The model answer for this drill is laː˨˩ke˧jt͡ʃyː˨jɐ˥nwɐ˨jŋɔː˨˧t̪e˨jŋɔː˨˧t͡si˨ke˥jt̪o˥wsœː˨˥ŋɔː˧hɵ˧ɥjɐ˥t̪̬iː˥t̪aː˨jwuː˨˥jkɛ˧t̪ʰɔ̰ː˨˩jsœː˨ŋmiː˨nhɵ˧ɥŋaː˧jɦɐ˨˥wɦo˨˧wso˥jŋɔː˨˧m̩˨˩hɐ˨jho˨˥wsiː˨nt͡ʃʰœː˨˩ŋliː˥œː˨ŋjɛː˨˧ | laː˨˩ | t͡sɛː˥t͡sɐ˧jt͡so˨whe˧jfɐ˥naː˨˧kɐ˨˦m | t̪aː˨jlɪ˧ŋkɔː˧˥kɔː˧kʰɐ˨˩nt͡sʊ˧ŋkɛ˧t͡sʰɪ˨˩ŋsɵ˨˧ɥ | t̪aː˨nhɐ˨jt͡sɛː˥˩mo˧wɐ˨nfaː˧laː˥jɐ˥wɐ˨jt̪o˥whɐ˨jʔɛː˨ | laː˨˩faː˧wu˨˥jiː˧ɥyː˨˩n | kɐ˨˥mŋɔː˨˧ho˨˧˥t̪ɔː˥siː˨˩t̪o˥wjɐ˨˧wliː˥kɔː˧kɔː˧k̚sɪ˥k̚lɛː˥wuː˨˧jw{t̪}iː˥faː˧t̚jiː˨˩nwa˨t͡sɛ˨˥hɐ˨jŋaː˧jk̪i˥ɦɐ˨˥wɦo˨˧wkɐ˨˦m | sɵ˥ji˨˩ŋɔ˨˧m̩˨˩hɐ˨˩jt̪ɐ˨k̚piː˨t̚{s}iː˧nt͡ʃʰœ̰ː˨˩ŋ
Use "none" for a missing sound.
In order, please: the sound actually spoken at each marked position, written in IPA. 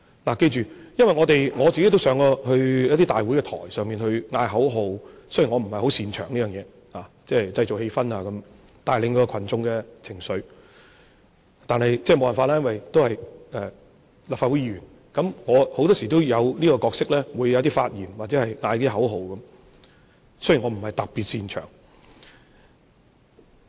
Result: t̪, s

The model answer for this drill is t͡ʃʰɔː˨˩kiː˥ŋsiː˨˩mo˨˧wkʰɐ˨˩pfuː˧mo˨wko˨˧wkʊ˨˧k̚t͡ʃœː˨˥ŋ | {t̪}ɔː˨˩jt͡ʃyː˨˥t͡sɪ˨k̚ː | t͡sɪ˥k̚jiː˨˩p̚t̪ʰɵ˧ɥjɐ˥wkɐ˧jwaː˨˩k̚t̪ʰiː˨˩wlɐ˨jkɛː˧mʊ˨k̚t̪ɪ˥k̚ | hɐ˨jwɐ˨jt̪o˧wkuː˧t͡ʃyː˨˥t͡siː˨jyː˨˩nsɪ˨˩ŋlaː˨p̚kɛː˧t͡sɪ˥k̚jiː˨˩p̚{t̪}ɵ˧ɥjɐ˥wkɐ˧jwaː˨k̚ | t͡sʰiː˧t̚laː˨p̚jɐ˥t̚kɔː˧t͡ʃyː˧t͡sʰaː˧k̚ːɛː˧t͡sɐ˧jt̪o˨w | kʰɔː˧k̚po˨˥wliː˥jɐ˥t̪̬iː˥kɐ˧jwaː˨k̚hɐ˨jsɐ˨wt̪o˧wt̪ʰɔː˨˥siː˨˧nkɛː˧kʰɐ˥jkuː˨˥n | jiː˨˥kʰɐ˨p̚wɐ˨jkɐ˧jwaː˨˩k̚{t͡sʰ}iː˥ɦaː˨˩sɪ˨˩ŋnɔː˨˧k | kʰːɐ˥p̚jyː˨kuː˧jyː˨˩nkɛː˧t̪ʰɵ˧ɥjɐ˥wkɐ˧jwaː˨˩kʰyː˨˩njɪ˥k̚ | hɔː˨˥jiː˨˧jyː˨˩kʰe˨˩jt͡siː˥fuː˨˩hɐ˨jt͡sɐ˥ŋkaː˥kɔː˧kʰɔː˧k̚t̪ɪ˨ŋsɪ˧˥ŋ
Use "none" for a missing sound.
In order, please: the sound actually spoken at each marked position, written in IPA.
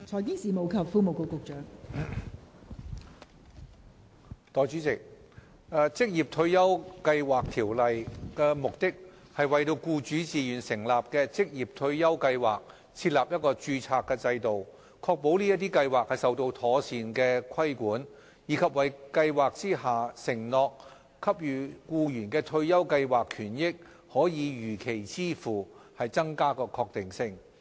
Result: t̪, t̪ʰ, t͡s

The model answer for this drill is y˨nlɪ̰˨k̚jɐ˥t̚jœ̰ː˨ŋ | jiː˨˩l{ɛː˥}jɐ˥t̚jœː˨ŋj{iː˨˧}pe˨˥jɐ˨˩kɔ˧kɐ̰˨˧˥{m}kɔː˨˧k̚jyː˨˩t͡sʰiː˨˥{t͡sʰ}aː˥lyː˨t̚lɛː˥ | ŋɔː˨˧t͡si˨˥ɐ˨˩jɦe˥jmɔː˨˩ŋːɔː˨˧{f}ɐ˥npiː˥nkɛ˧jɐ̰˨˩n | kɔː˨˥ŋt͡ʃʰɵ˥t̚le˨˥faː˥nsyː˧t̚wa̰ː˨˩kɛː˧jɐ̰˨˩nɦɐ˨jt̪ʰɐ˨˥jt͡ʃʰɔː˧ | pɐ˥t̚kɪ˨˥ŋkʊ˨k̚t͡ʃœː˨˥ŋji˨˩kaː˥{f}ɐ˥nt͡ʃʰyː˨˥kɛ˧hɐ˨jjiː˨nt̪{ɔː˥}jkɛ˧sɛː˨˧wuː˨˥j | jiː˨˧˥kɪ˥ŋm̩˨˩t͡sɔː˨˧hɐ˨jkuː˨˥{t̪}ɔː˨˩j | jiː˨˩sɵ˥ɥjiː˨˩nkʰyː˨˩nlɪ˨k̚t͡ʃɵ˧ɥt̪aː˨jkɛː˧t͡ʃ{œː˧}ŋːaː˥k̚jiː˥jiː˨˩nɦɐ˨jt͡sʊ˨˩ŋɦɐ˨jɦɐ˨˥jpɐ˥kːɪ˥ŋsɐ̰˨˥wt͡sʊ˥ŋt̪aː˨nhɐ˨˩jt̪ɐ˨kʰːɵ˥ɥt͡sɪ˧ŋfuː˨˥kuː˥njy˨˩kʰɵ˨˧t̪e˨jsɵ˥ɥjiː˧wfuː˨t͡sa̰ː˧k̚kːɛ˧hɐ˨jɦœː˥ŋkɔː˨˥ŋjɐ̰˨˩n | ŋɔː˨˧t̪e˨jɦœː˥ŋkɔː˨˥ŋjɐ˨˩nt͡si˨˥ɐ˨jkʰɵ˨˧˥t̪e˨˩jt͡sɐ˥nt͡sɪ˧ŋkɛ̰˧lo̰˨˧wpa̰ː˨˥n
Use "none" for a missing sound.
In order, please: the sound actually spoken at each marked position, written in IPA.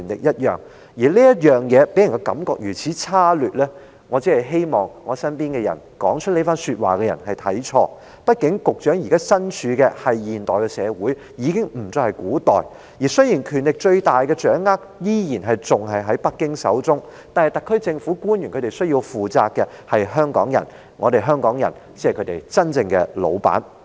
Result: iː˥, ɛː˨˧, m, t͡sʰ, s, s, ɔː˨, t̪, œː˨˥

